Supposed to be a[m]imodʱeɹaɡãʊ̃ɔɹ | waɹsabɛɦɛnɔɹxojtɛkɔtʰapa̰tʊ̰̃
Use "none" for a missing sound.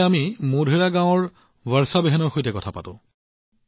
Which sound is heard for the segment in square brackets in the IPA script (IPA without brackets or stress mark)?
m